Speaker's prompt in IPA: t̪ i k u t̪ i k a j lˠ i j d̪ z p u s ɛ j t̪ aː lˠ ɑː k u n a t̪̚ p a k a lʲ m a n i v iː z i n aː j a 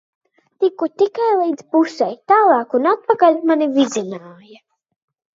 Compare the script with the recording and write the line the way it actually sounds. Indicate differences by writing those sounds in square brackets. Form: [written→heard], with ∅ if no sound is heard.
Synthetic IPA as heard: t̪ i k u t̪ i k a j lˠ i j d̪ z p u s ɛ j t̪ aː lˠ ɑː k u n a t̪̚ p a k a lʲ m a n i v [iː→i] z i n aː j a